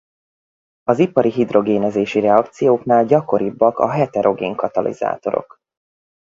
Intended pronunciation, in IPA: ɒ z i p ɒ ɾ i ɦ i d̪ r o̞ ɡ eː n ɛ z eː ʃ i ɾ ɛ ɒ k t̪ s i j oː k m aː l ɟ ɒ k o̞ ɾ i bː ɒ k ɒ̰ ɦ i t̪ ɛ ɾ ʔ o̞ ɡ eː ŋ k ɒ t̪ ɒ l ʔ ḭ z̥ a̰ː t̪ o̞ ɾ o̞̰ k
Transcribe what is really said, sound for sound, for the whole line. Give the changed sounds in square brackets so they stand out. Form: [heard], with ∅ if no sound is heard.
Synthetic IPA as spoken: ɒ z i p ɒ ɾ i ɦ i d̪ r o̞ ɡ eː n ɛ z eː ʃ i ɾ ɛ ɒ k t̪ s i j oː k [n] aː l ɟ ɒ k o̞ ɾ i bː ɒ k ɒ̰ ɦ [ɛ] t̪ ɛ ɾ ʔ o̞ ɡ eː ŋ k ɒ t̪ ɒ l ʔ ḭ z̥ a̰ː t̪ o̞ ɾ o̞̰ k